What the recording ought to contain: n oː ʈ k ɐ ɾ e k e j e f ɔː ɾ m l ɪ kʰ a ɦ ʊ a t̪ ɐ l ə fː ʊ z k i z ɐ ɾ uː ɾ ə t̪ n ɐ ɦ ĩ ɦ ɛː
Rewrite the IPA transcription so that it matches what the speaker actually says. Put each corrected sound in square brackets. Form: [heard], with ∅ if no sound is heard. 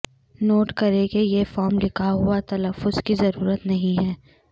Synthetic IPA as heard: n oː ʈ k ɐ ɾ e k e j e f ɔː ɾ m l ɪ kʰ a ɦ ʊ a t̪ ɐ l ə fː ʊ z k i z ɐ ɾ uː ɾ ə t̪ n ɐ ɦ ĩ ɦ ɛː